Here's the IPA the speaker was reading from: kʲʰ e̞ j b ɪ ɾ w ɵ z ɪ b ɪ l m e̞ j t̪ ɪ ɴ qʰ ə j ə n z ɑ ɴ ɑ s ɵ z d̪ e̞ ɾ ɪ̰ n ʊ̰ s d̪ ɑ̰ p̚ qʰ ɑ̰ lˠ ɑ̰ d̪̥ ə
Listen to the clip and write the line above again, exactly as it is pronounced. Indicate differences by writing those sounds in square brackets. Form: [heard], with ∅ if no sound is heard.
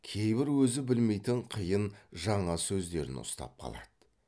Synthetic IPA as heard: kʲʰ e̞ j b ɪ ɾ w ɵ z ɪ b ɪ l m e̞ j t̪ ɪ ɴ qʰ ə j ə n [ʒ] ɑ ɴ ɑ s ɵ z d̪ e̞ ɾ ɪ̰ n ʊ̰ s [t̪] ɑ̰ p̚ qʰ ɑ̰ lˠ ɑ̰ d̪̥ ə